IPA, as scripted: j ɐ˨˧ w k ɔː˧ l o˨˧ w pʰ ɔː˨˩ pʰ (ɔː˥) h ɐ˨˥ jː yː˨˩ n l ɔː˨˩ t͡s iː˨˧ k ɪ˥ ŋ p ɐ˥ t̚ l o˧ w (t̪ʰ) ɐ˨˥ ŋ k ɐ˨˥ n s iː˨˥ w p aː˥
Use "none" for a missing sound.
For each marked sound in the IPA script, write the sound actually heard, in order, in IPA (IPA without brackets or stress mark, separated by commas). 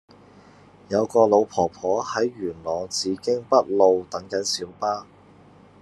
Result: ɔː˨˥, t̪